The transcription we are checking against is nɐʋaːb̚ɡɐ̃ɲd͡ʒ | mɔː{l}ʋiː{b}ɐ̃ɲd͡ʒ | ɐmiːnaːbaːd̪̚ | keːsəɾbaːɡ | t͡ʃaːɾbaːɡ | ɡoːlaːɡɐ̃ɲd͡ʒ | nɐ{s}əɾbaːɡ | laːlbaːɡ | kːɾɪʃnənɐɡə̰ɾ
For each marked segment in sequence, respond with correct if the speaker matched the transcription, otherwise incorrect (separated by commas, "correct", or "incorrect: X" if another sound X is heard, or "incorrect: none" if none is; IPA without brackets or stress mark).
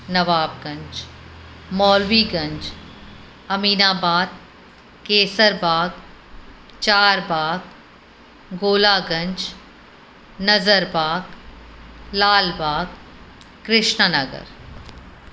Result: correct, incorrect: ɡ, incorrect: z